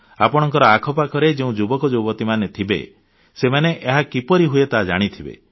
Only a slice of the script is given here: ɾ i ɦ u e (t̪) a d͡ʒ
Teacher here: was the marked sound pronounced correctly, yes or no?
yes